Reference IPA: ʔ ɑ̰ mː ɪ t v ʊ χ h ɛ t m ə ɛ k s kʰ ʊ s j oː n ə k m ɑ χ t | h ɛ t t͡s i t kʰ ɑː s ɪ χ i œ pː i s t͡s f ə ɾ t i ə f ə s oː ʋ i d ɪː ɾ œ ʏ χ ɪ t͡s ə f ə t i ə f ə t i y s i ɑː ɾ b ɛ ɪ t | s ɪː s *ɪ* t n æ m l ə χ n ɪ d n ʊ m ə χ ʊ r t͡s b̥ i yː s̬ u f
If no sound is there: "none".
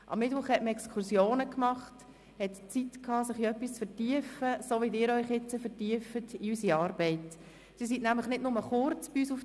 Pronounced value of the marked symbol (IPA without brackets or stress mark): i